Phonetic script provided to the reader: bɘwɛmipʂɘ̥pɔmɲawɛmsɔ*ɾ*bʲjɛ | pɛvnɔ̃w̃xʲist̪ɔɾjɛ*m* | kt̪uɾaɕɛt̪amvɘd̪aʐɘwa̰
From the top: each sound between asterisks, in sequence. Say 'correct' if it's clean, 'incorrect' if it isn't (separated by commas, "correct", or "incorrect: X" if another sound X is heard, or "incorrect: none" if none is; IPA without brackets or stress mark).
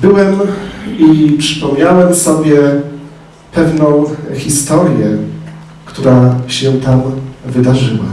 incorrect: none, incorrect: none